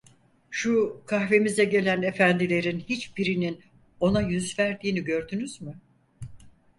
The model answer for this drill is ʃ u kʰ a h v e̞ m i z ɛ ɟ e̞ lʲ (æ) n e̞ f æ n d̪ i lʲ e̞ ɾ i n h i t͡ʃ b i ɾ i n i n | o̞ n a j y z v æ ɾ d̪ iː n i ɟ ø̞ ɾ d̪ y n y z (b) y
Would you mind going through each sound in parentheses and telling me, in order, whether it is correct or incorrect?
correct, incorrect

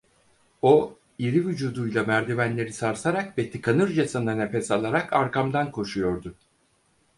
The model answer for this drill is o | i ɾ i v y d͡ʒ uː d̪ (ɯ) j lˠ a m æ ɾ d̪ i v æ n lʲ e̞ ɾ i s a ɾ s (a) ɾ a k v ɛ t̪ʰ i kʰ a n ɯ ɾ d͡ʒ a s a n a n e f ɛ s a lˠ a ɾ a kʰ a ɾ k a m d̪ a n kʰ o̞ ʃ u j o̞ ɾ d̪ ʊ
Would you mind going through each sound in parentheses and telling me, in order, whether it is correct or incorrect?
incorrect, correct

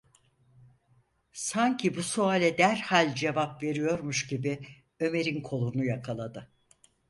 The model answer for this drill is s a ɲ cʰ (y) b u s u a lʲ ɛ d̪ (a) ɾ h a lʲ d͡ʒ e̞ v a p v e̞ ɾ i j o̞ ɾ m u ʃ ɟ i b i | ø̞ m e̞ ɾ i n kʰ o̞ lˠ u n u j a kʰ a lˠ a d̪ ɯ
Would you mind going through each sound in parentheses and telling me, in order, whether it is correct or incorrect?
incorrect, incorrect

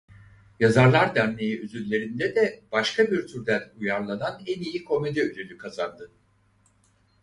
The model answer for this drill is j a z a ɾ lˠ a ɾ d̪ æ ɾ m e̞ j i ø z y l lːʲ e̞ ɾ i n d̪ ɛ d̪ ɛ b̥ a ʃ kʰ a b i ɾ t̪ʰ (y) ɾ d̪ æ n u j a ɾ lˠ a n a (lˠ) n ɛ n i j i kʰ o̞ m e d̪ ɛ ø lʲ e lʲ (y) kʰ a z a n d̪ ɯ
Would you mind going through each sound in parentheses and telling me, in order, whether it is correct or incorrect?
correct, incorrect, correct

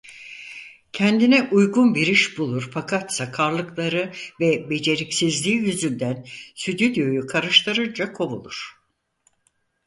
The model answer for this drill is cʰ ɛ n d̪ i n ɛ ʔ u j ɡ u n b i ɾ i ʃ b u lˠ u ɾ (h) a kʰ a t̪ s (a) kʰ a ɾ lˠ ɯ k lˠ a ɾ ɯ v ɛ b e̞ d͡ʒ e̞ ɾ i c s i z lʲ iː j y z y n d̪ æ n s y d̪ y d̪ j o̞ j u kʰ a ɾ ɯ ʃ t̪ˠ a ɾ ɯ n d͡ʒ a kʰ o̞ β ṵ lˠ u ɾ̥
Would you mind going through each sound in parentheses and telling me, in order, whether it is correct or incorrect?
incorrect, correct

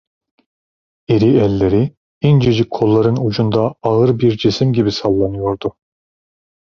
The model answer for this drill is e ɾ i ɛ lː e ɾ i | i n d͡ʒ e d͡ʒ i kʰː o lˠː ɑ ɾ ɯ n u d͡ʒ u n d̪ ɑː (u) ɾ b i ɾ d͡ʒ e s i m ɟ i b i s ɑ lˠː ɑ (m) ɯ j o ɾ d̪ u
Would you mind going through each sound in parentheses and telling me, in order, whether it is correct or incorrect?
incorrect, incorrect

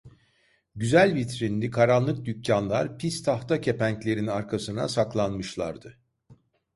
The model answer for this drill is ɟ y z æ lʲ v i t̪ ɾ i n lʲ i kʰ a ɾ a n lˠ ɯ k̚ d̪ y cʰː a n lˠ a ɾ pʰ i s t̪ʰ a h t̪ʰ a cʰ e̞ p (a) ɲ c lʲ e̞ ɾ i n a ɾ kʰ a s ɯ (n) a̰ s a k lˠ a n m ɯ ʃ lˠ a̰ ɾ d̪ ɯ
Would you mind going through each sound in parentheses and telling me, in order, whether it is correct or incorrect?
incorrect, correct

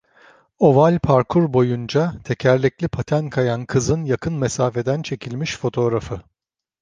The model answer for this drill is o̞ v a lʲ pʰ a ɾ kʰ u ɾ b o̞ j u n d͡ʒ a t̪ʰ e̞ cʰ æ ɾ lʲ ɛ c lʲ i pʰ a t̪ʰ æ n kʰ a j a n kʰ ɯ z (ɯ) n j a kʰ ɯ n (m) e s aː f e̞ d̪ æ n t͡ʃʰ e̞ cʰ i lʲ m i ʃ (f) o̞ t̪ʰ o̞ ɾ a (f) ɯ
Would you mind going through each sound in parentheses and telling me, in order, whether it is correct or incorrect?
correct, correct, correct, correct

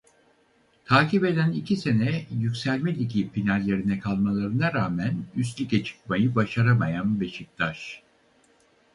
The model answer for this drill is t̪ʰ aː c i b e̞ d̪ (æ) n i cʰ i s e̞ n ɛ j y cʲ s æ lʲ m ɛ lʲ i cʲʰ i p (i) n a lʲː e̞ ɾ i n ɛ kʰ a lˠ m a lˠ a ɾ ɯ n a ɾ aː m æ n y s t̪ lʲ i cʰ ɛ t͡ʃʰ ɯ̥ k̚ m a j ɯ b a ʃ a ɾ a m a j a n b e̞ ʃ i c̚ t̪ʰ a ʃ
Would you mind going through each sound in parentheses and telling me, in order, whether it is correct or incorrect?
correct, correct

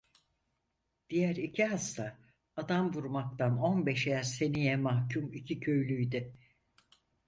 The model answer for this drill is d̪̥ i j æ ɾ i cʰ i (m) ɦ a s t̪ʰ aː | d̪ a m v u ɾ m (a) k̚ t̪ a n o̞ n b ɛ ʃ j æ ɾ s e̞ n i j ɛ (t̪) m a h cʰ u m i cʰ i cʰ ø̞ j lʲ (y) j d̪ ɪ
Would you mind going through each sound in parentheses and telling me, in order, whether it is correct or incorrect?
incorrect, correct, incorrect, correct

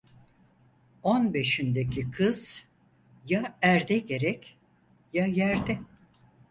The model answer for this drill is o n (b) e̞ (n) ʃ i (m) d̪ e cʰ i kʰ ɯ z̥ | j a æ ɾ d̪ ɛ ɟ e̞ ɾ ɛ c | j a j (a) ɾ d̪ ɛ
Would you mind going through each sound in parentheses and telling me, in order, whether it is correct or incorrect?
correct, incorrect, incorrect, incorrect

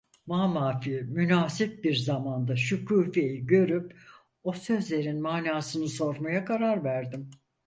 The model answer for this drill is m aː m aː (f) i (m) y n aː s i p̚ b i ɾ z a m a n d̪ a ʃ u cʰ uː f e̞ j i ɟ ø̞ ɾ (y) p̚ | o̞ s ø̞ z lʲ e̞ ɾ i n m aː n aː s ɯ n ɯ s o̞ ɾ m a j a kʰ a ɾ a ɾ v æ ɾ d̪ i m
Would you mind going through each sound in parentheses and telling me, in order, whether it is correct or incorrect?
correct, correct, correct

